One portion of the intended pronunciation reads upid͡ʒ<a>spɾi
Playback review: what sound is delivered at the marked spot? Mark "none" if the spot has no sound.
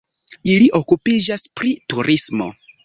a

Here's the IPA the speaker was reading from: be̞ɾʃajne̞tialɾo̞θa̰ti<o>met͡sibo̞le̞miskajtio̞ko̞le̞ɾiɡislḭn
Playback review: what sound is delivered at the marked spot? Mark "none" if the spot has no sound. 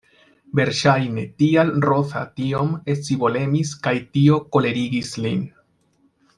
o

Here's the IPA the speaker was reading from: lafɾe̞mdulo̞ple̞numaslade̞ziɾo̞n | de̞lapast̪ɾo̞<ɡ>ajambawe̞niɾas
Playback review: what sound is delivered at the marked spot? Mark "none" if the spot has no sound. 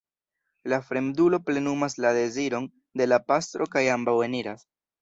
k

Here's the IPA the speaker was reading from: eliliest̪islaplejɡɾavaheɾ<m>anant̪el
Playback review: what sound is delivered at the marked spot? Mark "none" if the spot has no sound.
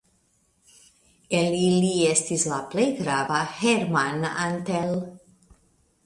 m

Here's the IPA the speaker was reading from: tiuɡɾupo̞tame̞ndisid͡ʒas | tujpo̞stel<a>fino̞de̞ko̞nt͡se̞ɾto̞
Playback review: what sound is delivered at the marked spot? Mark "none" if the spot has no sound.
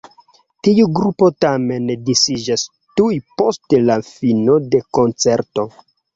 a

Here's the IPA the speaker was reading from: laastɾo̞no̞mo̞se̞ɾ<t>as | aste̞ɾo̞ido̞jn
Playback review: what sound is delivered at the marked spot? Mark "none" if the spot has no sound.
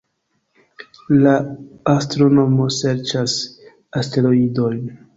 t͡ʃ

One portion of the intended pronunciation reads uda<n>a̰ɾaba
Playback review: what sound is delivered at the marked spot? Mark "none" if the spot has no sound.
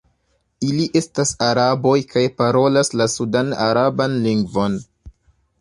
n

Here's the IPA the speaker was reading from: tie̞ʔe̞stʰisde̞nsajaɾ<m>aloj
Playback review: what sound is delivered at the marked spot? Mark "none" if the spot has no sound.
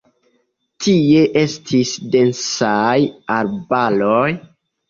b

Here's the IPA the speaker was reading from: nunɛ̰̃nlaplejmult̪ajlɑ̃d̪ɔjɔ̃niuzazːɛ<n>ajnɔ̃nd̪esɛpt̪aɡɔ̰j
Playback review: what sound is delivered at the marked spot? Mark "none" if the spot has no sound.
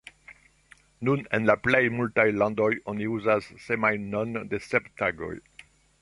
m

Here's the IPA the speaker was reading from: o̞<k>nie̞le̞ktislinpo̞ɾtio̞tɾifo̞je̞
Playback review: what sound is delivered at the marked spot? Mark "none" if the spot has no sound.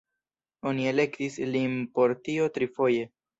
none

